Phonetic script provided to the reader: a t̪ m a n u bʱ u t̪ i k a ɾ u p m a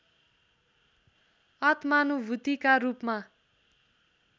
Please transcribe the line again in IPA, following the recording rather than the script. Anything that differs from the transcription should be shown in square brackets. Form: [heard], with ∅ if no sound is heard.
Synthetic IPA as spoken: [ʌ] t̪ m a n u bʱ u t̪ i k a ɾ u p m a